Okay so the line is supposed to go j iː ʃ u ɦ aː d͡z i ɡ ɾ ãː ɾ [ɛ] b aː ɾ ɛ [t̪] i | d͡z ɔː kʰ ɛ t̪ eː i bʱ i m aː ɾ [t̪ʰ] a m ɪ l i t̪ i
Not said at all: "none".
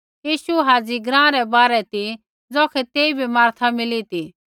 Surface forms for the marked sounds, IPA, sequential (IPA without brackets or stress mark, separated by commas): ɛ, t̪, t̪ʰ